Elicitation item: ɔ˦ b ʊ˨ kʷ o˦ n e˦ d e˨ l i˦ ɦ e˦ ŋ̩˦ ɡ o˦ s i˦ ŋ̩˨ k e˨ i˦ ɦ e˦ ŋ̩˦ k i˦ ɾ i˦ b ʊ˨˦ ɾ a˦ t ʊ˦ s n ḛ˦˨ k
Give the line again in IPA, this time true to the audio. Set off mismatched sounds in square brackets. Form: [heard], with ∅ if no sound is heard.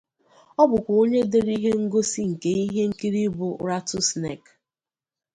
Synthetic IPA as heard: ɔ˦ b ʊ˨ kʷ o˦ [ɲ] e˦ d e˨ [ɾ] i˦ ɦ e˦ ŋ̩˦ ɡ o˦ s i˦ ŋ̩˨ k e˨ i˦ ɦ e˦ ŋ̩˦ k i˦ ɾ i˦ b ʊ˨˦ ɾ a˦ t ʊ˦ s n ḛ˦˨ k

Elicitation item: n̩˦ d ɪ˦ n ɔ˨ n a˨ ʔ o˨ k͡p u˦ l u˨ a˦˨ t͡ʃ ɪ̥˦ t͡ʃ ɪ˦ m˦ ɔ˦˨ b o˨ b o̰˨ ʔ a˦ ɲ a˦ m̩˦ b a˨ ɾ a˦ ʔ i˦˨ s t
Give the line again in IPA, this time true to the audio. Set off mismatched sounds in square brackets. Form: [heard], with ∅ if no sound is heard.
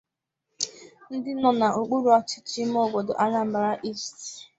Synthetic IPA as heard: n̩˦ d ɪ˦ n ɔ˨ n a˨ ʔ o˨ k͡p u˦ [ɾ] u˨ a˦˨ t͡ʃ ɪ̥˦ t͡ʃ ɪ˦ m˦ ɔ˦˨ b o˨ [d] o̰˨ ʔ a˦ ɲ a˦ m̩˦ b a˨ ɾ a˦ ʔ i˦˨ s t

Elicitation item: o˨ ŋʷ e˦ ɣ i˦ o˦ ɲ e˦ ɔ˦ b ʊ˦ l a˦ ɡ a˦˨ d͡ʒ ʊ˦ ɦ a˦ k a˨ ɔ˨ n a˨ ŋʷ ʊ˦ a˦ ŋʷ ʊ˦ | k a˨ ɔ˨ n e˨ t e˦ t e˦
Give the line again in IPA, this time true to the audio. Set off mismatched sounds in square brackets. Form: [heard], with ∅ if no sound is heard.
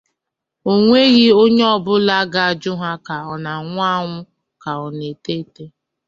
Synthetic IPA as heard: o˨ ŋʷ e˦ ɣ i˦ o˦ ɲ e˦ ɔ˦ b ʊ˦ l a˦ ɡ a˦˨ d͡ʒ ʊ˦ ɦ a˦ k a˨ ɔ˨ n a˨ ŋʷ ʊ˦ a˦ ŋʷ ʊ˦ | k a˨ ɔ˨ n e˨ t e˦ t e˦

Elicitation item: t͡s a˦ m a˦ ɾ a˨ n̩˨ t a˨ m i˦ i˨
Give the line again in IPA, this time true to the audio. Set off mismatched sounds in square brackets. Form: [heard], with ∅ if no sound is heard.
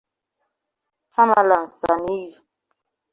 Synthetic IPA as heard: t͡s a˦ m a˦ [l] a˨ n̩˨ [s] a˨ [n] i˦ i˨

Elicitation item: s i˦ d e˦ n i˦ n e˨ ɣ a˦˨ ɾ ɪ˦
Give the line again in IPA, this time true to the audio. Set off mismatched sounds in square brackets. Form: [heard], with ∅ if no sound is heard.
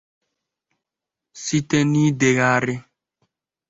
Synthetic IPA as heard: s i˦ [t] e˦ n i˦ [d] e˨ ɣ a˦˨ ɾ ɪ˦

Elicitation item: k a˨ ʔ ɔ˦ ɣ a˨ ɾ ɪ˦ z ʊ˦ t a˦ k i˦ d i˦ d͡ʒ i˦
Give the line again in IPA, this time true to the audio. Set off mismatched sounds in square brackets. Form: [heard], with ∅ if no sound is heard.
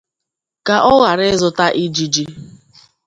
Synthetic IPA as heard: k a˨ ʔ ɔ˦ ɣ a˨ ɾ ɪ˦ z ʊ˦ t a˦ [ʔ] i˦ [d͡ʒ] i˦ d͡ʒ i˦

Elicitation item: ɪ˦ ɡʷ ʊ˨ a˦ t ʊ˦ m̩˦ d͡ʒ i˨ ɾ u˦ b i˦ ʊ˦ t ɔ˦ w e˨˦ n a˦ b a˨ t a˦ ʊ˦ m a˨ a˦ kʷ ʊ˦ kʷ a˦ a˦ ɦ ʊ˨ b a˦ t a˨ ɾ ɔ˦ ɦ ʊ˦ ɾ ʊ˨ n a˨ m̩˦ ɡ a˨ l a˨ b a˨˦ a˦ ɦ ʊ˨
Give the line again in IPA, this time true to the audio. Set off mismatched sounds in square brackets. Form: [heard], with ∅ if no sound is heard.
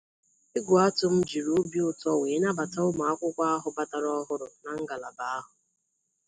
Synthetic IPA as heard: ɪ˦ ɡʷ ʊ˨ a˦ t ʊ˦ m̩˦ d͡ʒ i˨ ɾ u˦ b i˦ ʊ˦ t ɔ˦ w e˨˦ n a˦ b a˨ t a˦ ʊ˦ m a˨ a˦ kʷ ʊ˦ kʷ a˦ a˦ ɦ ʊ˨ b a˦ t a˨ ɾ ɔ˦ ɦ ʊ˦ ɾ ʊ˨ n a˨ [ŋ̩˦] ɡ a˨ l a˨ b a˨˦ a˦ ɦ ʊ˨

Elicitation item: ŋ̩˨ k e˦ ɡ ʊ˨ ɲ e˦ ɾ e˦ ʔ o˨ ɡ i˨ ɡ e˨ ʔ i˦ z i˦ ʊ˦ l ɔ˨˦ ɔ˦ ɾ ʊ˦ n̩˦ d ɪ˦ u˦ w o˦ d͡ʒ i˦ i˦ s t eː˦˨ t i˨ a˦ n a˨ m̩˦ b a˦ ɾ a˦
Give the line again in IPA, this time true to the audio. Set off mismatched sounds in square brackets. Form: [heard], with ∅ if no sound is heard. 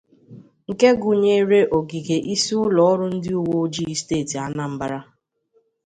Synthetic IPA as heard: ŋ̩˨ k e˦ ɡ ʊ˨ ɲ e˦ ɾ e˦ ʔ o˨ ɡ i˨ ɡ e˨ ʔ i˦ [s] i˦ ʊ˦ l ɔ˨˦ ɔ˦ ɾ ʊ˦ n̩˦ d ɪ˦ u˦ w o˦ d͡ʒ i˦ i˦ s t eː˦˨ t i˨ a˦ n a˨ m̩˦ b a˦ ɾ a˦

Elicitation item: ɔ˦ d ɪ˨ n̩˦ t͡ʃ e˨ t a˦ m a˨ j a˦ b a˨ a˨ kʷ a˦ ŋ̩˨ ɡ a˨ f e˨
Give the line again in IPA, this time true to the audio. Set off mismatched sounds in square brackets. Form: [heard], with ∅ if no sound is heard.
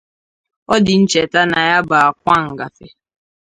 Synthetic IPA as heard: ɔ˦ d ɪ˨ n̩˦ t͡ʃ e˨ t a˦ [n] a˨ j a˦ b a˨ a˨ kʷ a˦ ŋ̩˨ ɡ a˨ f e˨

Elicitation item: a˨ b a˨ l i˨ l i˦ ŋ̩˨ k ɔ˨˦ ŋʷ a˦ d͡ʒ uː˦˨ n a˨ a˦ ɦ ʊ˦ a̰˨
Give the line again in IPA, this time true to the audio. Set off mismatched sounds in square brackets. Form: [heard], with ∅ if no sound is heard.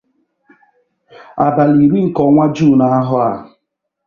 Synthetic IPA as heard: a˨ b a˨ l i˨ [ɾ] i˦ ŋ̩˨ k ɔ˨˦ ŋʷ a˦ d͡ʒ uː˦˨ n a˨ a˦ ɦ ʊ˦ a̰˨

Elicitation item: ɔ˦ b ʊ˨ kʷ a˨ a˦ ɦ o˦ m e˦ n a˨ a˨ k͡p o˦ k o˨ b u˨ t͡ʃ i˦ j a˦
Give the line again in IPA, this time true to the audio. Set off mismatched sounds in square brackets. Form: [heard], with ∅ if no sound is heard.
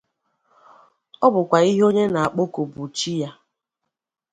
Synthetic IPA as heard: ɔ˦ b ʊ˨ kʷ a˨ [i˦] ɦ o˦ [ɲ] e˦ n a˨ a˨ k͡p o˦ k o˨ b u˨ t͡ʃ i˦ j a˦

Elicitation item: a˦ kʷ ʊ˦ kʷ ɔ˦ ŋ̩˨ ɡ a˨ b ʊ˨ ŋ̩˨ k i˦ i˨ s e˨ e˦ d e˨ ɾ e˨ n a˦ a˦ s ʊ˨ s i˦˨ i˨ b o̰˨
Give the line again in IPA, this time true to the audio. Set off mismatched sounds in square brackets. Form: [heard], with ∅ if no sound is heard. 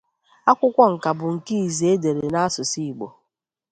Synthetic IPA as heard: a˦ kʷ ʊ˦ kʷ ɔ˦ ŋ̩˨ [k] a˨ b ʊ˨ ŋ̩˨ k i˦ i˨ [z] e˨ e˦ d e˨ ɾ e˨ n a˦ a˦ s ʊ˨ s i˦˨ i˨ [ɡ͡b] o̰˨

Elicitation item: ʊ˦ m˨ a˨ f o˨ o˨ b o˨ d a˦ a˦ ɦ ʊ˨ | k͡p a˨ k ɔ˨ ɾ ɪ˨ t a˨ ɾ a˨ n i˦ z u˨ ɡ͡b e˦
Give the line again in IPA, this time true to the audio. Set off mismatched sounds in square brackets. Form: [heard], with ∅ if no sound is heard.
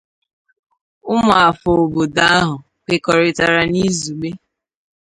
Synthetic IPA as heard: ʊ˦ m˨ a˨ f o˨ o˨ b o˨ d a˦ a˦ ɦ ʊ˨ | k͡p [e˨] k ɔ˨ ɾ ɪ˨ t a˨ ɾ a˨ n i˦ z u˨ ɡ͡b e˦

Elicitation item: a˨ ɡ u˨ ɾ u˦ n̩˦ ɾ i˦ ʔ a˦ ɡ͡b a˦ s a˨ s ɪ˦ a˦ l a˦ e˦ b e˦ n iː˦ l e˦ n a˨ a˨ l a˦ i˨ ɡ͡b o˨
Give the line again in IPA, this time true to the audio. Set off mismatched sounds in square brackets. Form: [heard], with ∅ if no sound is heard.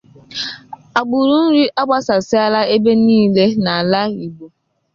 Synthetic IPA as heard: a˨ [ɡ͡b] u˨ ɾ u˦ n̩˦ ɾ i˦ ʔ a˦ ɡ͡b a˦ s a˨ s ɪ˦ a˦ l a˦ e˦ b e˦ n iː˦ l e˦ n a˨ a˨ l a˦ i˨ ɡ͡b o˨

